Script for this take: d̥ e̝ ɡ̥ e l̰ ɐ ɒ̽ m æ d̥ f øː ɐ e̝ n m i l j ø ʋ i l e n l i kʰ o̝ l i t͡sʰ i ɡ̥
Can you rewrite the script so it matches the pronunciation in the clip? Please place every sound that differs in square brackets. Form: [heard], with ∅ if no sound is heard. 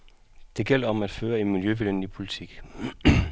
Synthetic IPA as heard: d̥ e̝ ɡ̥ e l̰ ɐ ɒ̽ m æ d̥ f øː ɐ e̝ n m i l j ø ʋ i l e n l i [pʰ] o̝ l i t͡sʰ i ɡ̥